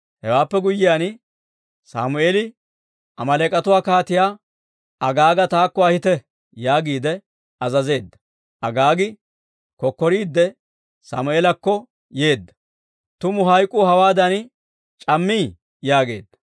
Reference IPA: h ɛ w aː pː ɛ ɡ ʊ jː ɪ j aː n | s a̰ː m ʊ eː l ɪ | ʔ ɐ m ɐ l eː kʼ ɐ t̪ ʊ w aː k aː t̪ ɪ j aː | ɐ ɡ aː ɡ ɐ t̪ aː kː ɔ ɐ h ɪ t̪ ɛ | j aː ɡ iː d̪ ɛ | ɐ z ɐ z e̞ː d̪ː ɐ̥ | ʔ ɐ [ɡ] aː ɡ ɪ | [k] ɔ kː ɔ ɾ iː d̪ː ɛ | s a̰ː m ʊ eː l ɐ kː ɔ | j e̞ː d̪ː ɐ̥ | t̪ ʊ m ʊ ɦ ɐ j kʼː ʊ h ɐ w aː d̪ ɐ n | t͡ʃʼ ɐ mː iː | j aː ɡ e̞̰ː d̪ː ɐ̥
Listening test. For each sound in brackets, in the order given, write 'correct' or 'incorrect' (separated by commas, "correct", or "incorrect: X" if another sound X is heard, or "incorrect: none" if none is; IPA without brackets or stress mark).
correct, correct